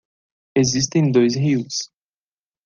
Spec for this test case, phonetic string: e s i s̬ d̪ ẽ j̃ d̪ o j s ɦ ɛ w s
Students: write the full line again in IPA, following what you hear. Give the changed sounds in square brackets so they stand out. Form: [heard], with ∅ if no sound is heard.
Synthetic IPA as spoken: e [z] i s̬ [t̪] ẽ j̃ d̪ o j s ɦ [i] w s